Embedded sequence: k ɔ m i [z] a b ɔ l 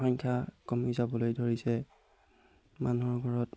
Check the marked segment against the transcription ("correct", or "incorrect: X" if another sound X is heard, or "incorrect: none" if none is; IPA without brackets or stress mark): correct